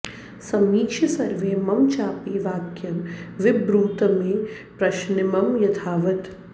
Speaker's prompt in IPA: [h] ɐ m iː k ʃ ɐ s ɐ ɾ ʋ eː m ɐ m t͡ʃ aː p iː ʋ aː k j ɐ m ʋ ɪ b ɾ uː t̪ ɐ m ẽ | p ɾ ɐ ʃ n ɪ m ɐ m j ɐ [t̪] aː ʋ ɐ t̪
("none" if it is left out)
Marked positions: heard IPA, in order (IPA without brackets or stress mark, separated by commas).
s, t̪ʰ